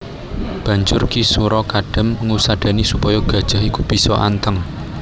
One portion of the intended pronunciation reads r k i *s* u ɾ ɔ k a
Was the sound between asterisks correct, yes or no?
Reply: yes